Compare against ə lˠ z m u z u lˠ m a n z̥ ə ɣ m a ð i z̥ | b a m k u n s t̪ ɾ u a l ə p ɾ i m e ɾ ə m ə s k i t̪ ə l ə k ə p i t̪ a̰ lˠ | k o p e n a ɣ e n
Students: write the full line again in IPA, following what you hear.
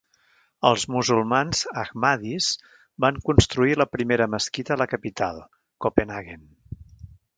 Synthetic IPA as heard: ə lˠ z m u z u lˠ m a n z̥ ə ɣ m a ð i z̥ | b a ŋ k u n s t̪ ɾ u i l ə p ɾ i m e ɾ ə m ə s k i t̪ ə l ə k ə p i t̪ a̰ lˠ | k o p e n a ɣ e n